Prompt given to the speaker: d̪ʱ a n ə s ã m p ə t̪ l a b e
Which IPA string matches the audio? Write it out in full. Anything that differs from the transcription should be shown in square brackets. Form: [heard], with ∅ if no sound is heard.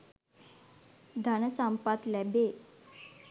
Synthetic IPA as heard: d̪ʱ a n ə s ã m p [a] t̪ l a b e